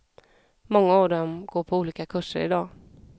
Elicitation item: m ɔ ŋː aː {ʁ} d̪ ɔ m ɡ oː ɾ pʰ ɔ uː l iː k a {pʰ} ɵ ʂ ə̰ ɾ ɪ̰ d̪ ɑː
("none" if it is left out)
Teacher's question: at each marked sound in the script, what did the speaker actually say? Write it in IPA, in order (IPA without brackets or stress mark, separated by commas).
v, kʰ